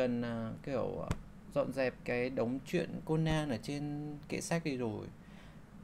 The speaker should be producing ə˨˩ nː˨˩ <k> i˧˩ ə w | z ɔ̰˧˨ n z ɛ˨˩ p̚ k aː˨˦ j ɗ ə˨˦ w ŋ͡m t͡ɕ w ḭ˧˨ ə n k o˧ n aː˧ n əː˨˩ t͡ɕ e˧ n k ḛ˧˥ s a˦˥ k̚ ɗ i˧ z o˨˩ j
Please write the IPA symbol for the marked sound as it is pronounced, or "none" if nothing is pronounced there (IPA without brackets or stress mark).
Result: k